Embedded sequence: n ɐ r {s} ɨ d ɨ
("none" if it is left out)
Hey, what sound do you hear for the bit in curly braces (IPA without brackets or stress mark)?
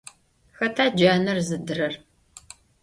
z